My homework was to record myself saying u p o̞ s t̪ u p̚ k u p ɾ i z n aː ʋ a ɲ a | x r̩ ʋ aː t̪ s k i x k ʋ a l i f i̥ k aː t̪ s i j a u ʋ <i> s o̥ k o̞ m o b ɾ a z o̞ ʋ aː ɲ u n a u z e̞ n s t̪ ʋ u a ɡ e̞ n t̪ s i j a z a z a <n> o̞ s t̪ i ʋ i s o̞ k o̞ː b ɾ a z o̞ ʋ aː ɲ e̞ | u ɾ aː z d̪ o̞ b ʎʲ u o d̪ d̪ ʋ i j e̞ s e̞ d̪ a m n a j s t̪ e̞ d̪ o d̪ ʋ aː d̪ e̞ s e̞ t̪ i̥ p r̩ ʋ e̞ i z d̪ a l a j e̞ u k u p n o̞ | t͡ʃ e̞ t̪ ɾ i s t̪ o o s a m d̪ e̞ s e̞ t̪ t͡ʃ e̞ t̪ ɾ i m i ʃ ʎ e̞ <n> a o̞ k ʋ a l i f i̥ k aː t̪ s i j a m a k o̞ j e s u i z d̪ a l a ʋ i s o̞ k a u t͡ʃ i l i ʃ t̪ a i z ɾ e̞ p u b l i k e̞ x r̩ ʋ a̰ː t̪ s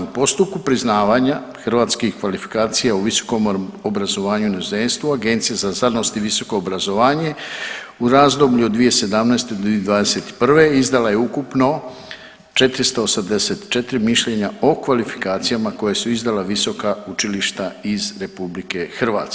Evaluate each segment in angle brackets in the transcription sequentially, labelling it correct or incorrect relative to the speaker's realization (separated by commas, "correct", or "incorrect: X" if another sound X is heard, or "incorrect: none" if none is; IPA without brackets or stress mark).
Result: correct, correct, incorrect: ɲ